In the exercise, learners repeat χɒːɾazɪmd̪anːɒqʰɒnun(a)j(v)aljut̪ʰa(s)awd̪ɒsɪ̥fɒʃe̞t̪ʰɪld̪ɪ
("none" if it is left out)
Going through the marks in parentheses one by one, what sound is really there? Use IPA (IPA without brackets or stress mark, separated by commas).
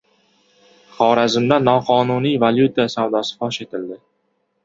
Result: i, v, s